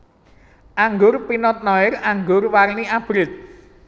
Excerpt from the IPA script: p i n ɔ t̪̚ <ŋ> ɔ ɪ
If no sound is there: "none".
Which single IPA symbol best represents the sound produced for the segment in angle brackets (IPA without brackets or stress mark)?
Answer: n